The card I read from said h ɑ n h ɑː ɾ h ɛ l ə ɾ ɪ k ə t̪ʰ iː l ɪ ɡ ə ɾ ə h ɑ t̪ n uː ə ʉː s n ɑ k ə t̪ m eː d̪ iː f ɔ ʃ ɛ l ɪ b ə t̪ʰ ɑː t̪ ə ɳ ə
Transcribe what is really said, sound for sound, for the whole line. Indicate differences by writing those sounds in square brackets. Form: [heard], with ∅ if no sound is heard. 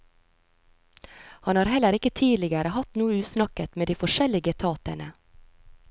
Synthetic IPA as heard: h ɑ n h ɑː ɾ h ɛ l ə ɾ ɪ k ə t̪ʰ iː l ɪ ɡ ə ɾ ə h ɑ t̪ n uː ə ʉː s n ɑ k ə t̪ m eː d̪ iː f ɔ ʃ ɛ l ɪ [ɡ] ə t̪ʰ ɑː t̪ ə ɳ ə

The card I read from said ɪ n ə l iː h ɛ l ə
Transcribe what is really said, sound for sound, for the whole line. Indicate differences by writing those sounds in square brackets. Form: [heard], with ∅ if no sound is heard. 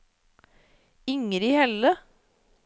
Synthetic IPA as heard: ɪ [ŋ] ə [ɾ] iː h ɛ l ə

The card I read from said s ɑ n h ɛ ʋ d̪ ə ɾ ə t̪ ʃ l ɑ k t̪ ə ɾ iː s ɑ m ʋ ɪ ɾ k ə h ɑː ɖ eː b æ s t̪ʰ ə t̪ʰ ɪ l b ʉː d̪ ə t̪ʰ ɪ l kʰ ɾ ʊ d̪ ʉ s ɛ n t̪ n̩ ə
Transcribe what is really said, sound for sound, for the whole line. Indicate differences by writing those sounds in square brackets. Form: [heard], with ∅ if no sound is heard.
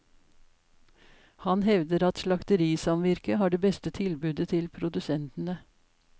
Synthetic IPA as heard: [h] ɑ n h ɛ ʋ d̪ ə ɾ [ɑ] t̪ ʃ l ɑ k t̪ ə ɾ iː s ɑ m ʋ ɪ ɾ k ə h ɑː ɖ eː b [ɛ] s [t̪] ə t̪ʰ ɪ l b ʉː d̪ ə t̪ʰ ɪ l [pʰ] ɾ ʊ d̪ ʉ s ɛ n t̪ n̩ ə

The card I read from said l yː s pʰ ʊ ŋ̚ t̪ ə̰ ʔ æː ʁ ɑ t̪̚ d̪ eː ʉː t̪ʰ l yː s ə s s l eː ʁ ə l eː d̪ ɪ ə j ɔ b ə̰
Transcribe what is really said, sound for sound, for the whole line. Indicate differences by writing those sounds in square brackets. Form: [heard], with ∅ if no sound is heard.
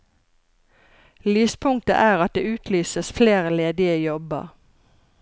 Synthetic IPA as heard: l yː s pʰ ʊ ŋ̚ t̪ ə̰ ʔ æː ʁ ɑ t̪̚ d̪ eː ʉː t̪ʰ l yː s ə s [f] l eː ʁ ə l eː d̪ ɪ ə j ɔ b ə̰

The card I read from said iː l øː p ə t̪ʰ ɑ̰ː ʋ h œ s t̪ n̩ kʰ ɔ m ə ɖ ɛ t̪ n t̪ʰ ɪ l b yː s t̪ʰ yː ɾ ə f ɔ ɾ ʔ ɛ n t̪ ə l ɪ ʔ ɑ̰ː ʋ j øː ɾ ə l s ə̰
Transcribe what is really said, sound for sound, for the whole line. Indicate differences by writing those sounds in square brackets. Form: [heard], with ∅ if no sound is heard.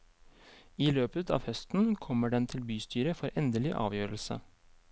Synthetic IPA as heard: iː l øː p ə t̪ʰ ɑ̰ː ʋ h œ s t̪ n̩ kʰ ɔ m ə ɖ ɛ [∅] n t̪ʰ ɪ l b yː s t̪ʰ yː ɾ ə f ɔ ɾ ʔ ɛ n [d̪] ə l ɪ ʔ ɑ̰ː ʋ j øː ɾ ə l s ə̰

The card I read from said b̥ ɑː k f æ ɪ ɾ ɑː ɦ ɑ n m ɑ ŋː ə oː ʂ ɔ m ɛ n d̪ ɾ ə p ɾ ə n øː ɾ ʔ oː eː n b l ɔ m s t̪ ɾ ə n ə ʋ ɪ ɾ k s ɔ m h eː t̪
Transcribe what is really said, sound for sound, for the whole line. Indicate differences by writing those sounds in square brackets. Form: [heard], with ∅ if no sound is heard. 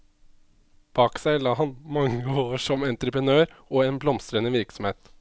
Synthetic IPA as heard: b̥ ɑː k [s] æ ɪ [l] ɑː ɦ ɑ n m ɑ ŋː ə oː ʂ ɔ m ɛ n [t̪] ɾ ə p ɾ ə n øː ɾ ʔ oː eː n b l ɔ m s t̪ ɾ ə n ə ʋ ɪ ɾ k s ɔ m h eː t̪

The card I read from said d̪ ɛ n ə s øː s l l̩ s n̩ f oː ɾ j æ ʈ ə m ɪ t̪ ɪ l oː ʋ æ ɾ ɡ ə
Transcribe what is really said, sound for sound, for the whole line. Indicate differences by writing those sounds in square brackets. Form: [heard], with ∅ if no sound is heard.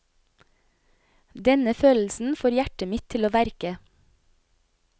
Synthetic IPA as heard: d̪ ɛ n ə [f] øː [∅] l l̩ s n̩ f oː ɾ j æ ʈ ə m ɪ [t̪ʰ] ɪ l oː ʋ æ ɾ [k] ə

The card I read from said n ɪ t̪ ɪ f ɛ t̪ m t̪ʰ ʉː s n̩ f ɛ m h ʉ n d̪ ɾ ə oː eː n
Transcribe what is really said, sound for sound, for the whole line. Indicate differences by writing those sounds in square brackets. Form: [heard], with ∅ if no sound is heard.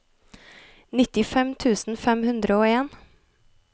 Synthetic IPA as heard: n ɪ t̪ ɪ f ɛ [∅] m t̪ʰ ʉː s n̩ f ɛ m h ʉ n d̪ ɾ ə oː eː n

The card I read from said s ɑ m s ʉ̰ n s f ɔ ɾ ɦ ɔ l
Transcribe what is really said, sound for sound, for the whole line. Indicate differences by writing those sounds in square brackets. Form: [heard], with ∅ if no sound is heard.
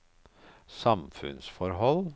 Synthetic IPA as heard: s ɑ m [f] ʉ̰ n s f ɔ ɾ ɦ ɔ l

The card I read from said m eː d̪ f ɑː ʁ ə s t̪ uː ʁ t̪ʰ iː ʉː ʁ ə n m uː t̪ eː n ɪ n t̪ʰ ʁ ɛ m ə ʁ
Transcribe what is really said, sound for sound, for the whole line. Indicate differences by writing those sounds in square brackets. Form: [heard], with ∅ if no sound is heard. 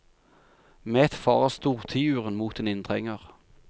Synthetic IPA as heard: m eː [t̪] f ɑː ʁ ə s t̪ uː ʁ t̪ʰ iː ʉː ʁ ə n m uː t̪ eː n ɪ n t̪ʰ ʁ ɛ [ŋ] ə ʁ

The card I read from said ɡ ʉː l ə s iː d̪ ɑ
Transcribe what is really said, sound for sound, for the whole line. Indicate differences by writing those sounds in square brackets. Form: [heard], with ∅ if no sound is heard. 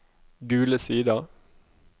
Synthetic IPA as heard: ɡ ʉː l ə s iː d̪ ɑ

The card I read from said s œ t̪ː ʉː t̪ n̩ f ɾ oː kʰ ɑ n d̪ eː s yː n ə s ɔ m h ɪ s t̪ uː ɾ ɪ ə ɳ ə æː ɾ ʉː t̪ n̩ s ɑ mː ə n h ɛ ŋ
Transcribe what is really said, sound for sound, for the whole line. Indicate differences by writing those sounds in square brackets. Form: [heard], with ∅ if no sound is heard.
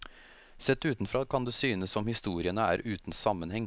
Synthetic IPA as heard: s [ɛ] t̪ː ʉː t̪ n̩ f ɾ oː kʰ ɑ n d̪ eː s yː n ə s ɔ m h ɪ s t̪ uː ɾ ɪ ə [n] ə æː ɾ ʉː t̪ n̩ s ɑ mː ə n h ɛ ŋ

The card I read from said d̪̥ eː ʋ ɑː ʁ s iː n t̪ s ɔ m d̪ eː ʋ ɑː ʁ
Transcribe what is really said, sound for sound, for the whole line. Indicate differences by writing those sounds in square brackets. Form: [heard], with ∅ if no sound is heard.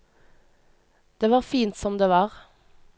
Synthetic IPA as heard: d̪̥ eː ʋ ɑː ʁ [f] iː n t̪ s ɔ m d̪ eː ʋ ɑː ʁ

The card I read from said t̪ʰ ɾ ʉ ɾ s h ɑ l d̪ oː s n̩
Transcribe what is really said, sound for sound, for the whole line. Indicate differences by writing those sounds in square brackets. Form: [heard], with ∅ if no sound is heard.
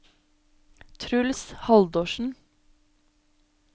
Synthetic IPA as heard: t̪ʰ ɾ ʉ [l] s h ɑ l d̪ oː [ʃ] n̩

